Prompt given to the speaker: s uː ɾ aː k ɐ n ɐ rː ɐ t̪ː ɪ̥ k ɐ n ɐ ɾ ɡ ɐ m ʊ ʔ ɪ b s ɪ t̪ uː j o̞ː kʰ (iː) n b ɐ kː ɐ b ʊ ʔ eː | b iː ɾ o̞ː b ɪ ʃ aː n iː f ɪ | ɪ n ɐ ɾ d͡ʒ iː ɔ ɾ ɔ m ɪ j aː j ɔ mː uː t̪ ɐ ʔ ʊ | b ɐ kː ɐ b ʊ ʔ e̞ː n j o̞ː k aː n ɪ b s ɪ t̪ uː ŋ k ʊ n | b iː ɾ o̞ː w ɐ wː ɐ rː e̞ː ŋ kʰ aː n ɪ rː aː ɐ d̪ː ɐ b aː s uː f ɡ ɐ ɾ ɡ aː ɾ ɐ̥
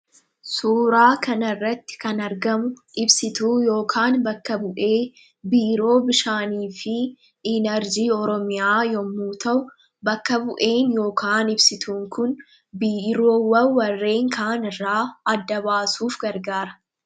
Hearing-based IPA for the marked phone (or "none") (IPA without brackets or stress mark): aː